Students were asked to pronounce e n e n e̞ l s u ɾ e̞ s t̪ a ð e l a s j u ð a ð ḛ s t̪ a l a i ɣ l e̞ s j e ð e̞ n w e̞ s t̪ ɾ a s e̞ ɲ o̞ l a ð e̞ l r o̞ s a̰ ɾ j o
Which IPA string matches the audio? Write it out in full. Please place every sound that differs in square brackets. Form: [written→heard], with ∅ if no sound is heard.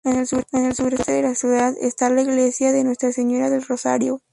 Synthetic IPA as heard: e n e n e̞ l s u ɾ e̞ s t̪ [a→e] ð e l a s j u ð a ð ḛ s t̪ a l a i ɣ l e̞ s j [e→a] ð e̞ n w e̞ s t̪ ɾ a s e̞ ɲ o̞ [l→ɾ] a ð e̞ l r o̞ s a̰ ɾ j o